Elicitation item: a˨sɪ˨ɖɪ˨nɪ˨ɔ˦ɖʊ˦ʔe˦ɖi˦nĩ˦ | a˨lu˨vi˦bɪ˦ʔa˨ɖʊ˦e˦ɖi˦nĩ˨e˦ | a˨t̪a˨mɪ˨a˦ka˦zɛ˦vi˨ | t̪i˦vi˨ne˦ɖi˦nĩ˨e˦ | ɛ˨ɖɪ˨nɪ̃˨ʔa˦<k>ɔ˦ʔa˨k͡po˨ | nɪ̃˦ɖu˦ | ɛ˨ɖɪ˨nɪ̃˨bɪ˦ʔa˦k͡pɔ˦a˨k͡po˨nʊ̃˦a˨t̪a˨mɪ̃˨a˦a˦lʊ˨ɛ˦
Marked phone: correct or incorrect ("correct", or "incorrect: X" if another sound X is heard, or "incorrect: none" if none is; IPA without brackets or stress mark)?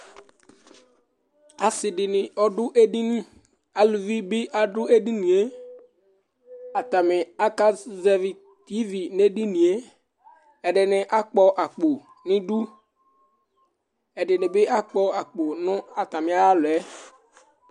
incorrect: k͡p